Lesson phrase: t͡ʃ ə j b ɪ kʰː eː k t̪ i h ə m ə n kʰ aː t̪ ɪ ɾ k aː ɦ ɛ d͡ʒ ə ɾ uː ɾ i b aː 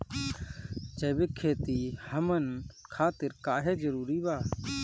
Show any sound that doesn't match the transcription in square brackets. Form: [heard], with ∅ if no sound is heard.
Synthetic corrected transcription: t͡ʃ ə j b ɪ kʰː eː [∅] t̪ i h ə m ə n kʰ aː t̪ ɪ ɾ k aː ɦ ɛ d͡ʒ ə ɾ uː ɾ i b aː